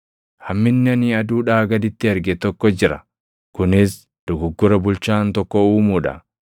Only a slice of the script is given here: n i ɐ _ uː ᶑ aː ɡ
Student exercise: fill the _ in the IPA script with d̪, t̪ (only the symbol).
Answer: d̪